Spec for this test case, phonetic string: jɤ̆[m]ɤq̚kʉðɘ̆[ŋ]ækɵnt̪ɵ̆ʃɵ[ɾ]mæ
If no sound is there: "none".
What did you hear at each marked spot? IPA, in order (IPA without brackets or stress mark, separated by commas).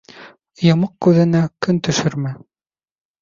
m, n, ɾ